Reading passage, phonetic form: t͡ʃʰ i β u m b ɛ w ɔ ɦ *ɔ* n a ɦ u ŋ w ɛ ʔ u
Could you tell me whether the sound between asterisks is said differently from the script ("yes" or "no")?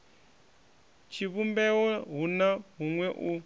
yes